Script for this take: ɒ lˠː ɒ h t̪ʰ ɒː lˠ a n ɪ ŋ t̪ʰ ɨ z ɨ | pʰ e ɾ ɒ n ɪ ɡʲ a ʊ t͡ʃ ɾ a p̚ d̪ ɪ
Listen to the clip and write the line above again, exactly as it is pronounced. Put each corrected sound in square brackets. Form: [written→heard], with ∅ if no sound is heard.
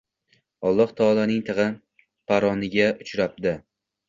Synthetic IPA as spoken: ɒ lˠː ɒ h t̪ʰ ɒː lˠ a n ɪ ŋ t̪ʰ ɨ [z→ʁ] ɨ | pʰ [e→a] ɾ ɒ n ɪ ɡʲ a ʊ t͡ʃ ɾ a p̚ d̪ ɪ